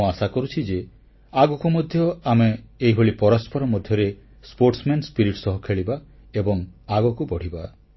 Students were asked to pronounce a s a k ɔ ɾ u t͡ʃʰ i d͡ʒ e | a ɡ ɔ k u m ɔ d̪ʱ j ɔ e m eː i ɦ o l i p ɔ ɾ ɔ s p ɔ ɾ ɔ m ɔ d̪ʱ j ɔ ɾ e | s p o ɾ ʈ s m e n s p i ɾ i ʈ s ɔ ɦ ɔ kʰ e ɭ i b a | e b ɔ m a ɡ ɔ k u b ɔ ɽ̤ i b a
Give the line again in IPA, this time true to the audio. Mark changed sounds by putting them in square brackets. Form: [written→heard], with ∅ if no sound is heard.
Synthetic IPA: a s a k ɔ ɾ u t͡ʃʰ i d͡ʒ e | a ɡ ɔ k u m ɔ d̪ʱ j ɔ [e→a] m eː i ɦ o [l→ɭ] i p ɔ ɾ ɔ s p ɔ ɾ ɔ m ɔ d̪ʱ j ɔ ɾ e | s p o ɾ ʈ s m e n s p i ɾ i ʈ s ɔ ɦ ɔ kʰ e ɭ i b a | e b ɔ [m→ŋ] a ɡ ɔ k u b ɔ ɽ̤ i b a